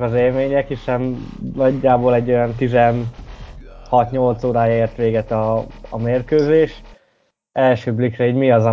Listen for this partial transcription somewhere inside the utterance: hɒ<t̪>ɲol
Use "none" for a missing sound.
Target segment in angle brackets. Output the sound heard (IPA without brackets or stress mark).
t̪